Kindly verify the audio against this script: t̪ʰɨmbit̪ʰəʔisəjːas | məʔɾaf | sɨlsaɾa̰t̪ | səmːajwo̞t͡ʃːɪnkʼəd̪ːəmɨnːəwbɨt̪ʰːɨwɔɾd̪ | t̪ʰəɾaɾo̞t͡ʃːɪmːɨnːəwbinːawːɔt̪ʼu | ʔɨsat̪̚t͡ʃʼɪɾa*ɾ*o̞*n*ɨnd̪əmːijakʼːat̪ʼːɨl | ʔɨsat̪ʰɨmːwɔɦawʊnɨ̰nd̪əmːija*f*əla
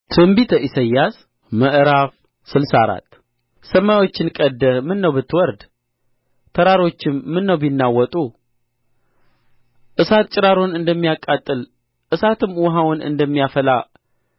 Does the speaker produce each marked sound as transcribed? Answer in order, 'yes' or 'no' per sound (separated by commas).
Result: yes, yes, yes